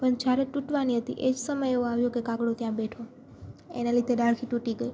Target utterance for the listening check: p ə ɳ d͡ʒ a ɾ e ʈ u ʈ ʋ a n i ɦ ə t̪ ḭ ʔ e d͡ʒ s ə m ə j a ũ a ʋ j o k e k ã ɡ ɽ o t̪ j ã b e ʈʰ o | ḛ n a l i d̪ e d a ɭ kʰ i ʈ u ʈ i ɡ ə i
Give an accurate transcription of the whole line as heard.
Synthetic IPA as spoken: p ə ɳ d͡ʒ a ɾ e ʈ u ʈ ʋ a n i ɦ ə t̪ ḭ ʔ e d͡ʒ s ə m ə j e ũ a ʋ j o k e k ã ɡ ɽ o t̪ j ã b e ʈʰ o | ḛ n a l i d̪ e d a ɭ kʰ i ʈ u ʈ i ɡ ə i